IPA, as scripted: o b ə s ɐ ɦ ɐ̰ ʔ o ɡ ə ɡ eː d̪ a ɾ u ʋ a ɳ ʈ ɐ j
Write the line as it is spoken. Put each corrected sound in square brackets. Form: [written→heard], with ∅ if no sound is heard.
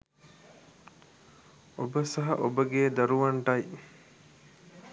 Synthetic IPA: o b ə s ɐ ɦ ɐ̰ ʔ o [ɡ→b] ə ɡ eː d̪ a ɾ u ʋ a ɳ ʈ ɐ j